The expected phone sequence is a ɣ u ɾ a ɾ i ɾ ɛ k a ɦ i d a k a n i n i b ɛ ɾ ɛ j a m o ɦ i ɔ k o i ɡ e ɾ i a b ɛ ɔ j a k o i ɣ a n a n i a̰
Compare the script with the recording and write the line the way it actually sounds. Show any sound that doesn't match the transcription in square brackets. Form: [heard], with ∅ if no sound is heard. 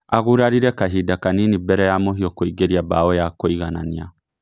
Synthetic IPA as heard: a ɣ u ɾ a ɾ i ɾ ɛ k a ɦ i d a k a n i n i b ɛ ɾ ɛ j a m o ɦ i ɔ k o i ɡ e ɾ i a b [a] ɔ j a k o i ɣ a n a n i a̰